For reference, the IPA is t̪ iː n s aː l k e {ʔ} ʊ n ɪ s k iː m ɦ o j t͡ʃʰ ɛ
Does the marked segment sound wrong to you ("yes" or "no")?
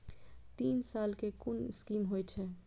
yes